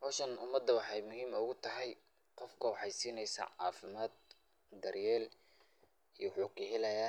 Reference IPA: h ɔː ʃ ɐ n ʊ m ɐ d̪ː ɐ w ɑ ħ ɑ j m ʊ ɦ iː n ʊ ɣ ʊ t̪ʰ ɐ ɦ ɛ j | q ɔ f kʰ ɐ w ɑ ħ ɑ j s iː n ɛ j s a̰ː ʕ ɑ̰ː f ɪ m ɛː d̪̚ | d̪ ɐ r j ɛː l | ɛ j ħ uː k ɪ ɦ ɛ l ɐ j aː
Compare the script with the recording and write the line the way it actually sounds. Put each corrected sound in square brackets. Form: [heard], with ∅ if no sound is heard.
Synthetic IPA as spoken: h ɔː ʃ ɐ n ʊ m ɐ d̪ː ɐ w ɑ ħ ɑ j m ʊ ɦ iː [m] ʊ ɣ ʊ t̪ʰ ɐ ɦ ɛ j | q ɔ f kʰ ɐ w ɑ ħ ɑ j s iː n ɛ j s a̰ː ʕ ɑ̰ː f ɪ m [aː] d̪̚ | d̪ ɐ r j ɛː l | [i] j ħ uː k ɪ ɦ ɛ l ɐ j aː